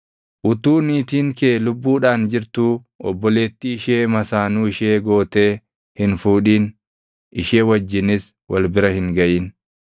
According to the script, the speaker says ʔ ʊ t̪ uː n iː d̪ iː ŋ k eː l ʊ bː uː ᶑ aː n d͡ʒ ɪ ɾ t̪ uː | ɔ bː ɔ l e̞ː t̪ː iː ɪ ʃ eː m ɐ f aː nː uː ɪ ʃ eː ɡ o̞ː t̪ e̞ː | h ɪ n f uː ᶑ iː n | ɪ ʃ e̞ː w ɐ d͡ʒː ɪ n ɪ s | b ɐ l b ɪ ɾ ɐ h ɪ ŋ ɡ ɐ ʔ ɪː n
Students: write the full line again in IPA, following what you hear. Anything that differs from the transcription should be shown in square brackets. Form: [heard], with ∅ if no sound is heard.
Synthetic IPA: ʔ ʊ t̪ uː n iː [t̪] iː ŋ k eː l ʊ bː uː ᶑ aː n d͡ʒ ɪ ɾ t̪ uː | ɔ bː ɔ l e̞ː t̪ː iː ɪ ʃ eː m ɐ [s] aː [n] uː ɪ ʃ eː ɡ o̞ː t̪ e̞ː | h ɪ n f uː ᶑ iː n | ɪ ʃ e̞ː w ɐ d͡ʒː ɪ n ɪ s | [w] ɐ l b ɪ ɾ ɐ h ɪ ŋ ɡ ɐ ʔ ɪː n